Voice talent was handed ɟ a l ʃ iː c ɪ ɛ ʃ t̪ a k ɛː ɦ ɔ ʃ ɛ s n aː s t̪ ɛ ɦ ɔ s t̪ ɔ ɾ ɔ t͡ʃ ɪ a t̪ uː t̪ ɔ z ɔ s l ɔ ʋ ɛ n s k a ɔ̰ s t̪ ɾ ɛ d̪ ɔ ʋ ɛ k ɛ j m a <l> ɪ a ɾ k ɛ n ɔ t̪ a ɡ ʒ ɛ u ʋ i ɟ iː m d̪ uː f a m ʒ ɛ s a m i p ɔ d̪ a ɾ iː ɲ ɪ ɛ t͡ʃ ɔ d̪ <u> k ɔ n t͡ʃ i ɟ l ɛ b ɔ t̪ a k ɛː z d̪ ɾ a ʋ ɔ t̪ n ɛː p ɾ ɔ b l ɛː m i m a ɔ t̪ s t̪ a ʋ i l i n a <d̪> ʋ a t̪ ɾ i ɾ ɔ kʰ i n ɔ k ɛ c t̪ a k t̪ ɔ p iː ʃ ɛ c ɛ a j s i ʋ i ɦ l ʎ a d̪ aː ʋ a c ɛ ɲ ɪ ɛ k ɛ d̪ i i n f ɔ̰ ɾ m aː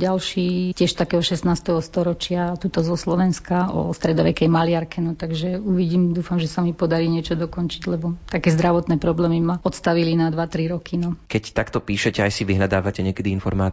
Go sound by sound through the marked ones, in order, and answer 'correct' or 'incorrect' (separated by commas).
correct, incorrect, correct